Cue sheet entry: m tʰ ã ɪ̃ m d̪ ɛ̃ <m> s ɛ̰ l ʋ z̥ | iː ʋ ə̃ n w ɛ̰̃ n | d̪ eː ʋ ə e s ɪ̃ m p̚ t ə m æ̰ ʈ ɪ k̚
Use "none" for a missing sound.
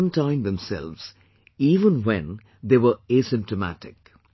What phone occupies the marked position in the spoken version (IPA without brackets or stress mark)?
m